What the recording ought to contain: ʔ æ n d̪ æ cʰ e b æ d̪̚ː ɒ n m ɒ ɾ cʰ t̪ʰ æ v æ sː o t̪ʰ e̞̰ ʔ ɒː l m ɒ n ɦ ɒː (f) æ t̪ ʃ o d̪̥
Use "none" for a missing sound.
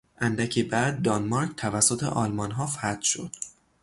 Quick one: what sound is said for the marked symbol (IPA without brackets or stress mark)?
f